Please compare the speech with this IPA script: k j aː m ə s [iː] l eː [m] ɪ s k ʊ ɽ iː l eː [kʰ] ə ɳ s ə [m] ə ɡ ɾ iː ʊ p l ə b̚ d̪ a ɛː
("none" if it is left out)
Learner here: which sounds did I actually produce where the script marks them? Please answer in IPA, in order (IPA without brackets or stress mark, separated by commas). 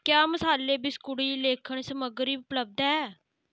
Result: aː, b, kʰ, m